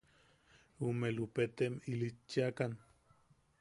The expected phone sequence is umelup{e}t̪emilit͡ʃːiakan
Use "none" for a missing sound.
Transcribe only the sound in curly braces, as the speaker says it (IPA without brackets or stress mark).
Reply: e